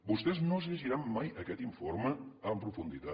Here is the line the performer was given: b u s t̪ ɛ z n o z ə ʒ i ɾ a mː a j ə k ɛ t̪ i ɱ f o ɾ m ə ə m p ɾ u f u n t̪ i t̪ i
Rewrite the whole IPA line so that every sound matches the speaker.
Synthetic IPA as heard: b u s t̪ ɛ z n o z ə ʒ i ɾ a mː a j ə k ɛ t̪ i ɱ f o ɾ m ə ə m p ɾ u f u n d̪ i t̪ a